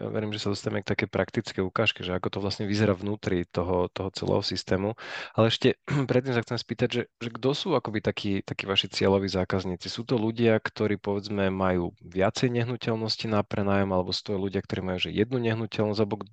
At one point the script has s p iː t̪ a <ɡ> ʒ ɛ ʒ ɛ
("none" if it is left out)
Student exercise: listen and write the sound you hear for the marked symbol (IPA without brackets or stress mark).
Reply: ɟ